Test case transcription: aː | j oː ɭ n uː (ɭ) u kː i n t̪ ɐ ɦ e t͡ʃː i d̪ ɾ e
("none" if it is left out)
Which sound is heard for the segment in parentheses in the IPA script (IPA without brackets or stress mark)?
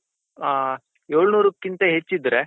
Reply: ɾ